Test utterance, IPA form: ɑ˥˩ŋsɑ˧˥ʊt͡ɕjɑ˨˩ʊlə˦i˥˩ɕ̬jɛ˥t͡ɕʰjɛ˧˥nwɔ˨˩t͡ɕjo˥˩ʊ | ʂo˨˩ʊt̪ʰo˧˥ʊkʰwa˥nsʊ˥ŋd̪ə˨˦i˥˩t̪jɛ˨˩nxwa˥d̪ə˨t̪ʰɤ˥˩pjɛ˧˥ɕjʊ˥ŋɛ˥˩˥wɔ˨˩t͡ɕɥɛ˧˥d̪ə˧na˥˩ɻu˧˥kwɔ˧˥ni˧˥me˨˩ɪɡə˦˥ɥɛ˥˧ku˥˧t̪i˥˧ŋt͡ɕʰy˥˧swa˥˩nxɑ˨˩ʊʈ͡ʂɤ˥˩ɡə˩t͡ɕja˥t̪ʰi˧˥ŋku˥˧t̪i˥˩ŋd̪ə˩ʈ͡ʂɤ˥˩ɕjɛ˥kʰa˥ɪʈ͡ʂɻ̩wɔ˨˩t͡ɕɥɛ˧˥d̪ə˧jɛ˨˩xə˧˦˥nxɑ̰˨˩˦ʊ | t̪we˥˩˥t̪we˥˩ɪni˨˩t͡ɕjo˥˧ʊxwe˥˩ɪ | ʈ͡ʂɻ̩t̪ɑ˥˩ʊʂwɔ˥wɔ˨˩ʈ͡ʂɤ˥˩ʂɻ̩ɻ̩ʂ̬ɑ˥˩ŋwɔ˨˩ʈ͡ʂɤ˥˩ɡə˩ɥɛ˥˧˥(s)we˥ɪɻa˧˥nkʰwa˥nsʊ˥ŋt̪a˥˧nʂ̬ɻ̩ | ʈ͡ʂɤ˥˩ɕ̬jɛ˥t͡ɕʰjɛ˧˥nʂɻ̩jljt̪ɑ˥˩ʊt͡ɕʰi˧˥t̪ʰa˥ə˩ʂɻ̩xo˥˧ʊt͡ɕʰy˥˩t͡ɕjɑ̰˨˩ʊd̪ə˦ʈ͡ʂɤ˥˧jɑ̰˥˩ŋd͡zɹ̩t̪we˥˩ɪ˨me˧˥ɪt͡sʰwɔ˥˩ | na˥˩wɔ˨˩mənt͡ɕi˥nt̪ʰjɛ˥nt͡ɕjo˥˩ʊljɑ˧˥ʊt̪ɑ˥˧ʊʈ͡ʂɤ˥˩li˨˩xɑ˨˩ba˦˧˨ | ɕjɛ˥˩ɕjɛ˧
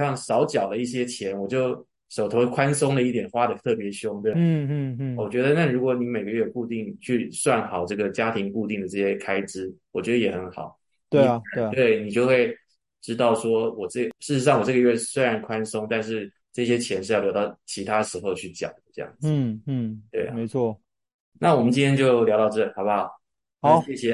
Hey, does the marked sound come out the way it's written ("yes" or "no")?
yes